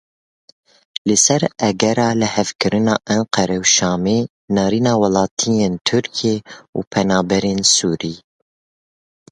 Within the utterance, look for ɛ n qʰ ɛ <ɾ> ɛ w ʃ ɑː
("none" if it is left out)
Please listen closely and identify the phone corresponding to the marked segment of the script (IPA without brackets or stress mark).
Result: ɾ